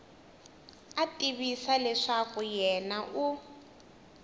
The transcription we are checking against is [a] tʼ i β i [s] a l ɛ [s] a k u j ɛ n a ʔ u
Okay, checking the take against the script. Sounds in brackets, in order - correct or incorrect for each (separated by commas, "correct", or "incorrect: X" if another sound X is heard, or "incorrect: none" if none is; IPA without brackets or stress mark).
correct, correct, incorrect: ʂ